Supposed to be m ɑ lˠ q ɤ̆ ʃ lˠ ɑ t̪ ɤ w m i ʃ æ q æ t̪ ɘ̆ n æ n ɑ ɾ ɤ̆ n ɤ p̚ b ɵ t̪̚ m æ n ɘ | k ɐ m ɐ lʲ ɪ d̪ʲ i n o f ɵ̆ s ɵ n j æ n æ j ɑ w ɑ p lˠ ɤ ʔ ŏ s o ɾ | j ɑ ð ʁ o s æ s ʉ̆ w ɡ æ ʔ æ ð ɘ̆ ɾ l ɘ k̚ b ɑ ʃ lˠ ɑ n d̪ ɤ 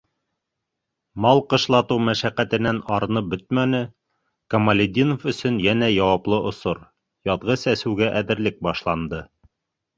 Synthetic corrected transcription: m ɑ lˠ q ɤ̆ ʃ lˠ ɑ t̪ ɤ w m æ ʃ æ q æ t̪ ɘ̆ n æ n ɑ ɾ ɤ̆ n ɤ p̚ b ɵ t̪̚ m æ n ɘ | k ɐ m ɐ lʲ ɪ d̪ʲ i n o f ɵ̆ s ɵ n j æ n æ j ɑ w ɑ p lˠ ɤ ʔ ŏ s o ɾ | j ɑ ð ʁ ɤ s æ s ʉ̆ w ɡ æ ʔ æ ð ɘ̆ ɾ l ɘ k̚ b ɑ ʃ lˠ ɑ n d̪ ɤ

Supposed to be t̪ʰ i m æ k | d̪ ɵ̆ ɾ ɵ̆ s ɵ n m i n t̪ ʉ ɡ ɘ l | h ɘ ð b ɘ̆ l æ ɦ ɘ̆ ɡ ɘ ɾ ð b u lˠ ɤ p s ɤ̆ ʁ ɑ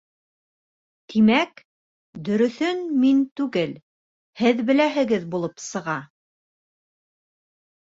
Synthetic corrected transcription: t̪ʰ i m æ k | d̪ ɵ̆ ɾ ɵ̆ θ ɵ n m i n t̪ ʉ ɡ ɘ l | h ɘ ð b ɘ̆ l æ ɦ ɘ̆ ɡ ɘ ð b u lˠ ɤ p s ɤ̆ ʁ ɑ

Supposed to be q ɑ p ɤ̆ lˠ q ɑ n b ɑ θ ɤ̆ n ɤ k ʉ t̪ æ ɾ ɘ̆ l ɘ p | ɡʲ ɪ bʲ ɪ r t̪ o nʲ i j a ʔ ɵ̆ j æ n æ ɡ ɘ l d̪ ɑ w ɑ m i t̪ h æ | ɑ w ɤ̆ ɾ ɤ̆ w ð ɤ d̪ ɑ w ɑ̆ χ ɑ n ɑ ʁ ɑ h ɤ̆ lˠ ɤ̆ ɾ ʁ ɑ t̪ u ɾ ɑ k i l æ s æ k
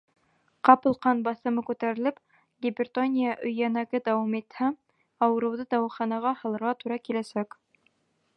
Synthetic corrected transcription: q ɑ p ɤ̆ lˠ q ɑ n b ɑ θ ɤ̆ m ɤ k ʉ t̪ æ ɾ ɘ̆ l ɘ p | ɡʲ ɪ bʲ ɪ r t̪ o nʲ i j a ʔ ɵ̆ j æ n æ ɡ ɘ d̪ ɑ w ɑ m i t̪ h æ | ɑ w ɤ̆ ɾ ɤ̆ w ð ɤ d̪ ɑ w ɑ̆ χ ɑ n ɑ ʁ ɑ h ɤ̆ lˠ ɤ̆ ɾ ʁ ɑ t̪ u ɾ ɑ k i l æ s æ k

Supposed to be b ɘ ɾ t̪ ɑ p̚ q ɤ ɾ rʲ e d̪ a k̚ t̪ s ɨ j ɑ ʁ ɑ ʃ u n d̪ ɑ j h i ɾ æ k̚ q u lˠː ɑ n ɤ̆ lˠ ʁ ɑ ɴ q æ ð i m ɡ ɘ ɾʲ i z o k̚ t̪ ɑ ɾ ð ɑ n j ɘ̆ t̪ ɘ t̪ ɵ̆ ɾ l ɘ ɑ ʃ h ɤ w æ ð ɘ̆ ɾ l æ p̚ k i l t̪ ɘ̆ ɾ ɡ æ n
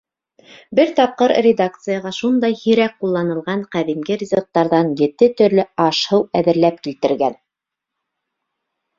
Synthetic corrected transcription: b ɘ ɾ t̪ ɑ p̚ q ɤ ɾ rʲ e d̪ a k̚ t̪ s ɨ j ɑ ʁ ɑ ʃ u n d̪ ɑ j h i ɾ æ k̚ q u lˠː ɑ n ɤ̆ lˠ ʁ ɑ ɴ q æ ð i m ɡ ɘ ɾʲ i z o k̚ t̪ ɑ ɾ ð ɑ n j ɘ̆ t̪ ɘ t̪ ɵ̆ ɾ l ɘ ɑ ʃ h ɤ w æ ð ɘ̆ ɾ l æ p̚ k i l t̪ ɘ̆ ɾ ɡ æ n

